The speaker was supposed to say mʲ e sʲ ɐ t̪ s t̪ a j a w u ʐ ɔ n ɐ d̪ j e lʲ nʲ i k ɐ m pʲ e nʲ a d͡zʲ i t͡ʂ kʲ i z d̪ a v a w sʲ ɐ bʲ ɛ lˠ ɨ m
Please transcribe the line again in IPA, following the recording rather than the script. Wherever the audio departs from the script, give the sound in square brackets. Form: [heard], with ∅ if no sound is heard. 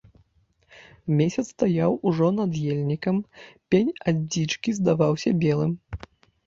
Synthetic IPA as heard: mʲ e sʲ ɐ t̪ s t̪ a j a w u ʐ ɔ n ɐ d̪ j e lʲ nʲ i k ɐ m pʲ e nʲ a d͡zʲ i t͡ʂ kʲ i z d̪ a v a w sʲ ɐ bʲ ɛ lˠ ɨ m